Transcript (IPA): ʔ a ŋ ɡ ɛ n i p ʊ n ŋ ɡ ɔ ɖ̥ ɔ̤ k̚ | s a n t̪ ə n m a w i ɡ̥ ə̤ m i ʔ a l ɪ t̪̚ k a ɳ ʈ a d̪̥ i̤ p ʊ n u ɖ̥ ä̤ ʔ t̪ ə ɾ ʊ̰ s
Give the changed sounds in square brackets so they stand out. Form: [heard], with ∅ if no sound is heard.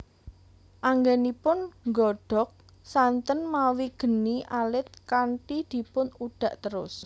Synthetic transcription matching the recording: ʔ a ŋ ɡ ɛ n i p ʊ n ŋ ɡ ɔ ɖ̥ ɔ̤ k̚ | s a n t̪ ə n m a w i ɡ̥ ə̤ [n] i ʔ a l ɪ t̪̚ k a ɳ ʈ [i] d̪̥ i̤ p ʊ n u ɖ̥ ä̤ ʔ t̪ ə ɾ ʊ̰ s